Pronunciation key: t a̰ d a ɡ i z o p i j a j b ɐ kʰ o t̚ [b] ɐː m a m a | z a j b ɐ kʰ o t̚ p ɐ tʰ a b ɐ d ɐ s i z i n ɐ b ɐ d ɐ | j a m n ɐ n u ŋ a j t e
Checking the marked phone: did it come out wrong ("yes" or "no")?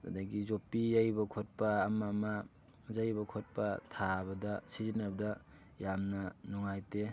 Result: yes